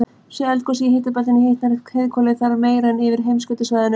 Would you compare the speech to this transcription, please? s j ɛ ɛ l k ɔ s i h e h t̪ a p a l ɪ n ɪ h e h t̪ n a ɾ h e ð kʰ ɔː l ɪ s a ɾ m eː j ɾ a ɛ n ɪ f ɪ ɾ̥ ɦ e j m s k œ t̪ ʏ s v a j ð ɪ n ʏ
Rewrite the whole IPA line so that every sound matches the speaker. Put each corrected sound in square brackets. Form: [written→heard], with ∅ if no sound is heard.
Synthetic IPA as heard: s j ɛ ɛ l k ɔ s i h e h t̪ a p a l ɪ n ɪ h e h t̪ n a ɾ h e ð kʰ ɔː l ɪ [s→θ] a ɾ m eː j ɾ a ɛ n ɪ [f→v] ɪ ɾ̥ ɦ e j m s k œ t̪ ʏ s v a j ð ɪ n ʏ